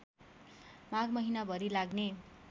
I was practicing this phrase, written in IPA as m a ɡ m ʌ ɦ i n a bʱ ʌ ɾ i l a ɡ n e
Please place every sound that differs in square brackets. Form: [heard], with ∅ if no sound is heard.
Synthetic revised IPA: m a ɡ m ʌ ɦ i n a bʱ ʌ ɾ i l a ɡ n e